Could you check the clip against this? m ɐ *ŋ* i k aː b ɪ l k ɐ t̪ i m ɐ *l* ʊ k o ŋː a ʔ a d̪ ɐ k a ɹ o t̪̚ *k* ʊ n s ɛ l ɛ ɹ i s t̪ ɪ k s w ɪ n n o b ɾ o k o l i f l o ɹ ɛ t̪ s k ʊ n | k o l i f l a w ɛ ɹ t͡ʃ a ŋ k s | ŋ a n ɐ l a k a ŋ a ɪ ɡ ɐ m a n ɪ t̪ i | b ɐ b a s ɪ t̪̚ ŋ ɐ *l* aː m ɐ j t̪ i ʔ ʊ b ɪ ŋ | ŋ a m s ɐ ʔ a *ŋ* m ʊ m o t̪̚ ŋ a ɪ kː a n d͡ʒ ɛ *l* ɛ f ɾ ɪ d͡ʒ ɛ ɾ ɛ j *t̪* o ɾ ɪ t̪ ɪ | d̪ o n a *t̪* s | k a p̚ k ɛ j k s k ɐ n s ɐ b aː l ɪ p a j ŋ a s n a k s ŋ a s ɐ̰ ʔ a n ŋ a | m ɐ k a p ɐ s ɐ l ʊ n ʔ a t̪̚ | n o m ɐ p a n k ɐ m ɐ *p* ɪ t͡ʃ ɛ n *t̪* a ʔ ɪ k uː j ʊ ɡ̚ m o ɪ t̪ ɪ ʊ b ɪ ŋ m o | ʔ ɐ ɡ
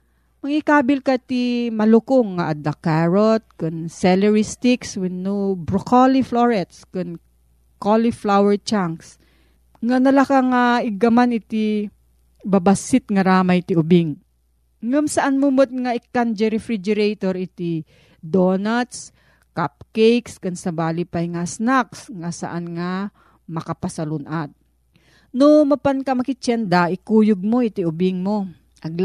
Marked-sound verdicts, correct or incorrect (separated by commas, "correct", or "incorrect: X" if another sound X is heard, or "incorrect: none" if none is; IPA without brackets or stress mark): correct, correct, correct, incorrect: ɾ, incorrect: n, incorrect: ɾ, correct, correct, incorrect: k, incorrect: d̪